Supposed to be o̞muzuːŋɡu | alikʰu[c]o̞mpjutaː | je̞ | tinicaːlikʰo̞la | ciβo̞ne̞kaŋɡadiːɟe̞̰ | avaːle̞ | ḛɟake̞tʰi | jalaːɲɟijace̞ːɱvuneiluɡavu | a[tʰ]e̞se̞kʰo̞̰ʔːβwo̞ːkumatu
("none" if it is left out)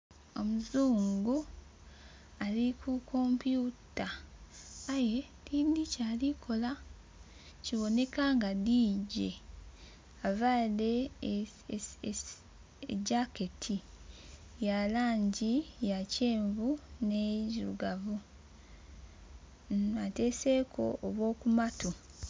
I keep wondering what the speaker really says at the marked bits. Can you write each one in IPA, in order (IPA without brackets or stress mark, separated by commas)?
k, t